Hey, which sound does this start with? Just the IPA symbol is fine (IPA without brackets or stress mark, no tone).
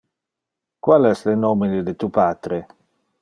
k